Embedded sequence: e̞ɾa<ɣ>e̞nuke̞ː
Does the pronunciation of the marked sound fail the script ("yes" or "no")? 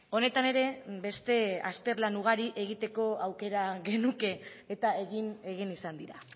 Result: no